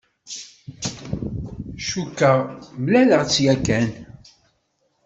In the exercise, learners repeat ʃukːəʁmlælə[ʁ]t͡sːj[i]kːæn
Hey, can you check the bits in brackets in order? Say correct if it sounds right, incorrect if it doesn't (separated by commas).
correct, incorrect